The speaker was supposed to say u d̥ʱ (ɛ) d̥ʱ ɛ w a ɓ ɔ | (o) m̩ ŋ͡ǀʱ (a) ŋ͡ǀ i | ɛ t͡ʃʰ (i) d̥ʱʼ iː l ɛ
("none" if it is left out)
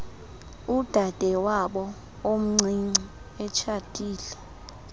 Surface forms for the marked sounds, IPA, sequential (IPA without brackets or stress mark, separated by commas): a, o, i, a